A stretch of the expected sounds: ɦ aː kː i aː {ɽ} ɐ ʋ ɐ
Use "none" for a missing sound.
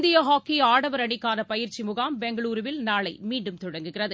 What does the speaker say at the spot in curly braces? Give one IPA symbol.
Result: ɽ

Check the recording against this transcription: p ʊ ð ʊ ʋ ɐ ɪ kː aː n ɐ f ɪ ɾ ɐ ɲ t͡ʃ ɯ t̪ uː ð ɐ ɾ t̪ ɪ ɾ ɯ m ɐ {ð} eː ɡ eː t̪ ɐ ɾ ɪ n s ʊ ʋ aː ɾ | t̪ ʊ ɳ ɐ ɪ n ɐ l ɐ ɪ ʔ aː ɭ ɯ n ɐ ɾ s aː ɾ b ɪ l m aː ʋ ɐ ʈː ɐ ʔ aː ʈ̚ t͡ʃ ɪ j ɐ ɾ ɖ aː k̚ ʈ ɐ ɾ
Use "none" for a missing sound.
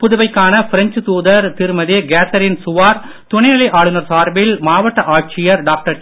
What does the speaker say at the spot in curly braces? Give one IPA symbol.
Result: ð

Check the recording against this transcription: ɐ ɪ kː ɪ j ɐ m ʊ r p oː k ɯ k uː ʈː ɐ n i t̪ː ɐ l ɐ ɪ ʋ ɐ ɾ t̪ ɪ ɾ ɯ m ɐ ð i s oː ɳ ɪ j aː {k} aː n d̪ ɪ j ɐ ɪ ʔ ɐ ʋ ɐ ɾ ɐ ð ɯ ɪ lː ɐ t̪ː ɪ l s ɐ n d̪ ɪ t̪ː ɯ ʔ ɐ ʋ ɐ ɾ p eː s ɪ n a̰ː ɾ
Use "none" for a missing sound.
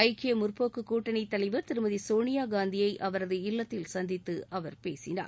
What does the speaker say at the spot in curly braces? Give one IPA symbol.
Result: ɡ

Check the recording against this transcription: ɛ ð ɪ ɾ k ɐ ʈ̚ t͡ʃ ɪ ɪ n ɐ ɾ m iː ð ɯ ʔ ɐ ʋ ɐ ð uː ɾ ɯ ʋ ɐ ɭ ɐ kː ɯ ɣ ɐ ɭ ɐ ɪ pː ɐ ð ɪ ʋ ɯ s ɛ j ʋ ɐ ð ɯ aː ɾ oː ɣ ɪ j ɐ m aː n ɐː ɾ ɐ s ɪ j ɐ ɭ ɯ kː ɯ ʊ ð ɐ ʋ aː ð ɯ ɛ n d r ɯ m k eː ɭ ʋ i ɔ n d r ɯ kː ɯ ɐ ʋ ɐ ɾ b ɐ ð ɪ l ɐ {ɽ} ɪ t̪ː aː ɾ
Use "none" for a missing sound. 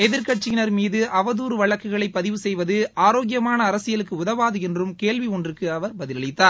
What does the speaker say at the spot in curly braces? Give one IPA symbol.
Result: ɭ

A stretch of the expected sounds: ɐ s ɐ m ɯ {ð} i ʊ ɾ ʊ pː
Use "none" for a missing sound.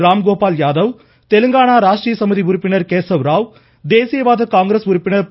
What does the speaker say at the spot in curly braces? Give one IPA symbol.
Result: ð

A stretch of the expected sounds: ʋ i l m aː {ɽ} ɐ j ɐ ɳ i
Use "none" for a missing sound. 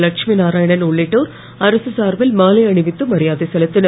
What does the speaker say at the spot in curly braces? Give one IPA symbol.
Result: l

